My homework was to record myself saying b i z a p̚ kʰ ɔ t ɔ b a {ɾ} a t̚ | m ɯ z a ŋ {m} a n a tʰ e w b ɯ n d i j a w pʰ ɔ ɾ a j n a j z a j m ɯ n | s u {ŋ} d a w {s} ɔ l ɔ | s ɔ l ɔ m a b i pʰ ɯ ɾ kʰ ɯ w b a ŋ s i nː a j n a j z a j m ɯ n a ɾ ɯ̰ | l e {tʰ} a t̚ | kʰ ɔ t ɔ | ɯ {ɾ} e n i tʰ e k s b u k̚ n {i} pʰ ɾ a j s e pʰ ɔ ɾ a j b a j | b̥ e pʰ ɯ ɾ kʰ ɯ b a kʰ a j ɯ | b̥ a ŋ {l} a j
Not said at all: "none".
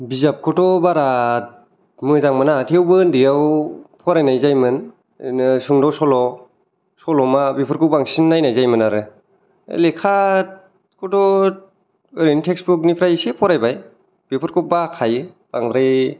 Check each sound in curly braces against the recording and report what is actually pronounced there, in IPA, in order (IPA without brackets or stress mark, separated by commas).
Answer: ɾ, m, ŋ, s, kʰ, ɾ, i, ɾ